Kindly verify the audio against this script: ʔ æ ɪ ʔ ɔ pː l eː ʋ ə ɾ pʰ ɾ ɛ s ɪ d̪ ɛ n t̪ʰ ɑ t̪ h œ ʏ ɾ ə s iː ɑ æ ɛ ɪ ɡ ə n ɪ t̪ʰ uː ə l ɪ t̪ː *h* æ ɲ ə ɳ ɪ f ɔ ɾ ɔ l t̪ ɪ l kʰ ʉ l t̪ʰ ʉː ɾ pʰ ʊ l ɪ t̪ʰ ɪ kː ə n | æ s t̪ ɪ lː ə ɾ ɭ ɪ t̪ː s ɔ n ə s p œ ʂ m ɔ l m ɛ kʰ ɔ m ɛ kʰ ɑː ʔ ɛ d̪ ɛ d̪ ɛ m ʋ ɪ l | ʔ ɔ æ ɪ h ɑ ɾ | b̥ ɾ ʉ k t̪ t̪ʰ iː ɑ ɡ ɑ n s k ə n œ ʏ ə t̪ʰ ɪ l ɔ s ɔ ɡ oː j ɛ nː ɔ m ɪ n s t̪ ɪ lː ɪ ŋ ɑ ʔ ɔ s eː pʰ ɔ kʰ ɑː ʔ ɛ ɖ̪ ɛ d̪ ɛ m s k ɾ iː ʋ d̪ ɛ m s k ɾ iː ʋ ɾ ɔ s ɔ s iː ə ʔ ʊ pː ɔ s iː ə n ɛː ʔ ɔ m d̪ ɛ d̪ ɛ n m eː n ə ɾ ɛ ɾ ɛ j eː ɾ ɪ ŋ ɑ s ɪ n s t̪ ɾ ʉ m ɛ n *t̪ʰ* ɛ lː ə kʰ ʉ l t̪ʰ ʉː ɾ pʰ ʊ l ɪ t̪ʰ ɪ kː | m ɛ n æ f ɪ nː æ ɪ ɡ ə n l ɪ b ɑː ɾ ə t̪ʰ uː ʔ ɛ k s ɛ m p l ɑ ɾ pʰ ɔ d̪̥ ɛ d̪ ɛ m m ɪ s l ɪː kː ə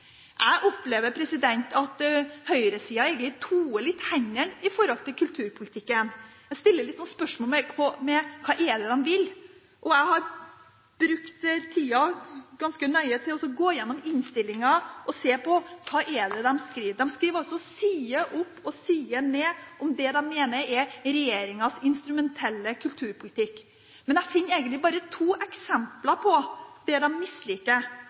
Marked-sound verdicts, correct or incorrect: correct, correct

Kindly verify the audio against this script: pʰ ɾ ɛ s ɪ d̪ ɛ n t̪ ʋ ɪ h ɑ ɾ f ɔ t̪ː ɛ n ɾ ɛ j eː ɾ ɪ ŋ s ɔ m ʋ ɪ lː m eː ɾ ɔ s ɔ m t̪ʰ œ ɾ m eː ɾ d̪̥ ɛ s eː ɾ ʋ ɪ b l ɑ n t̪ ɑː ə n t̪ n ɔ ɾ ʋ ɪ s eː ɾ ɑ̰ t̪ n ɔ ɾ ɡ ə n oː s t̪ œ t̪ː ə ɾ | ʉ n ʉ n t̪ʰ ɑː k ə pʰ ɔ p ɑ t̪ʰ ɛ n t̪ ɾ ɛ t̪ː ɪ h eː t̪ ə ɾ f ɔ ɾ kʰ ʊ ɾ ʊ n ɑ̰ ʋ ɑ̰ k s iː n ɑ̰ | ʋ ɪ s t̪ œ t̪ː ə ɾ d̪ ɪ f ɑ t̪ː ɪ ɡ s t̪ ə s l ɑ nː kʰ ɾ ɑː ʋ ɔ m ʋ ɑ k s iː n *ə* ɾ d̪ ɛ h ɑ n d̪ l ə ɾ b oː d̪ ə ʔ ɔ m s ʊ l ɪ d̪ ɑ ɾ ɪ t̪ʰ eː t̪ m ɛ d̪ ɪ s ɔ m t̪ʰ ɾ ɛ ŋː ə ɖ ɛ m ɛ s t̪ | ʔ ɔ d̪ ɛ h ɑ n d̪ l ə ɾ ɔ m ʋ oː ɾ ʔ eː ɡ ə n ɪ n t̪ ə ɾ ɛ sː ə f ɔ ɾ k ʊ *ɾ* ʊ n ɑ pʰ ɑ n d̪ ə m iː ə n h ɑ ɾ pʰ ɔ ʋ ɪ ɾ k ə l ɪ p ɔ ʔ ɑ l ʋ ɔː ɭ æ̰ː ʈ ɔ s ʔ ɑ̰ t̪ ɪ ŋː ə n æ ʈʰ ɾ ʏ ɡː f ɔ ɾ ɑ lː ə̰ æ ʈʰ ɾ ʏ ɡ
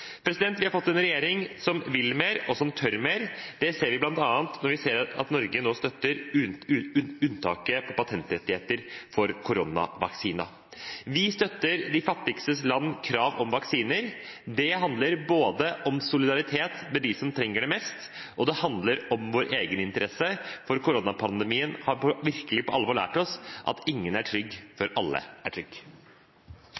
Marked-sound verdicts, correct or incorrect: correct, correct

